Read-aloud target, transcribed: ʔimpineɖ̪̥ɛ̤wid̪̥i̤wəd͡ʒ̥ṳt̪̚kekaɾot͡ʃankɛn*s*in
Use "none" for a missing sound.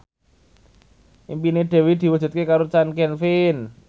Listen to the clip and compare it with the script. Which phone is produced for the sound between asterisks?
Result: f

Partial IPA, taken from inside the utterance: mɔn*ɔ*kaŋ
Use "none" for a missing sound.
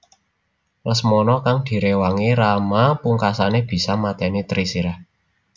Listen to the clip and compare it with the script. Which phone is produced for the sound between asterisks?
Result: ɔ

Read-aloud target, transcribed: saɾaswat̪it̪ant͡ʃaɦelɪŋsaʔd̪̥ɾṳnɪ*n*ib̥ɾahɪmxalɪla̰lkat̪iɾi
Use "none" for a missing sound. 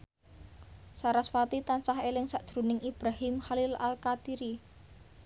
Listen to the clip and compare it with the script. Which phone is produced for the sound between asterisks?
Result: ŋ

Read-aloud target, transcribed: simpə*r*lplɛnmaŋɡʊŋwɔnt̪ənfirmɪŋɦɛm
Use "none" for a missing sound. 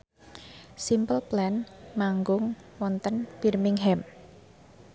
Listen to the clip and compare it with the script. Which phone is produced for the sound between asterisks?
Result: none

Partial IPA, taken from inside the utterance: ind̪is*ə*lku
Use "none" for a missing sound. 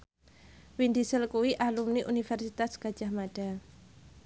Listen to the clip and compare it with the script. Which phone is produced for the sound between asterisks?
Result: ə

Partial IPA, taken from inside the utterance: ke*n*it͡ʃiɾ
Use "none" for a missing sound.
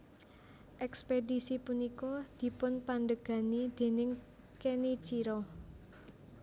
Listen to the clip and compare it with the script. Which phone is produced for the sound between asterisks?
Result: n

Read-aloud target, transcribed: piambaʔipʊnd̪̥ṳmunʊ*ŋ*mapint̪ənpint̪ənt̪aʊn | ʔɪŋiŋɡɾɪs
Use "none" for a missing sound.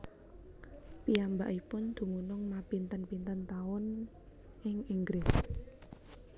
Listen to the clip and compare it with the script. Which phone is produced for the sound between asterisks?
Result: ŋ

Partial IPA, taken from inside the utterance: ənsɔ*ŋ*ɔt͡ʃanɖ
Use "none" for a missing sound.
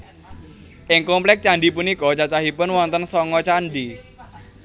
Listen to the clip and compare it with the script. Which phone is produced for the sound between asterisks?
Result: ŋ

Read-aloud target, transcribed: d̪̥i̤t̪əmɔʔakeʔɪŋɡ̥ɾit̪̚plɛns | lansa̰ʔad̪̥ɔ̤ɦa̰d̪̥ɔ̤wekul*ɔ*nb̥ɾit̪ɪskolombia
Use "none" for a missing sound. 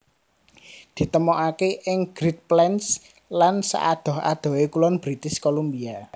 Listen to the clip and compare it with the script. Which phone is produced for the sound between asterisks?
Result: ɔ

